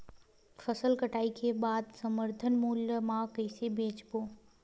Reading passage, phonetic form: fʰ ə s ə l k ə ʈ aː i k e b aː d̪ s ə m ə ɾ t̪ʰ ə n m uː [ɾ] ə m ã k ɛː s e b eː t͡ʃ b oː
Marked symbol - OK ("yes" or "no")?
no